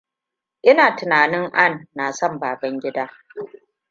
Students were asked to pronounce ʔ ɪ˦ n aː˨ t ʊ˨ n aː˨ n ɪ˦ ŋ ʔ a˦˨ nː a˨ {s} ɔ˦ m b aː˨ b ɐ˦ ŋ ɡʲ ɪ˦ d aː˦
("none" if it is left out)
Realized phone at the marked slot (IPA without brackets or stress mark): s